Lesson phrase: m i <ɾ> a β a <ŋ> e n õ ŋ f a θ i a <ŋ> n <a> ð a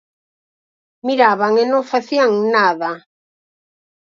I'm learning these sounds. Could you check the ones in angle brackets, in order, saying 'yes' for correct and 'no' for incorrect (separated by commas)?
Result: yes, yes, yes, yes